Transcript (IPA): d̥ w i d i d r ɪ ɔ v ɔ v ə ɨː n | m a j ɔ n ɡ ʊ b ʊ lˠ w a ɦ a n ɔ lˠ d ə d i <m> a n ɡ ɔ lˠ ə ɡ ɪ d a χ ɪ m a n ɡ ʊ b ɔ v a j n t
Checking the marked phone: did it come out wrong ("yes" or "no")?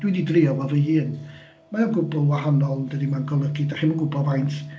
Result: no